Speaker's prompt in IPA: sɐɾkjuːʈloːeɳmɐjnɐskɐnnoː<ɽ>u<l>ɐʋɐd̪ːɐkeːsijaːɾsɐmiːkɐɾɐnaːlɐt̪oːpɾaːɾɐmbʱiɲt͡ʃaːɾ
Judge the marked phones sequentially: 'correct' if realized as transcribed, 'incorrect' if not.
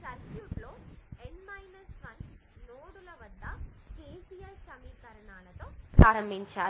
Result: correct, correct

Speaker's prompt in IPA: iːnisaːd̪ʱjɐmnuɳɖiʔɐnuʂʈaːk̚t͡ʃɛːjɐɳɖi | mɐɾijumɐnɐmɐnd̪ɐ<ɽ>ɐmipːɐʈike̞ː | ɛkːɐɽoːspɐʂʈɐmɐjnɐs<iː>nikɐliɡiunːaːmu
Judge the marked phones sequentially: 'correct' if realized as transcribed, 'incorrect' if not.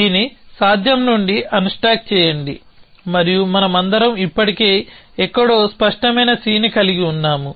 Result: incorrect, correct

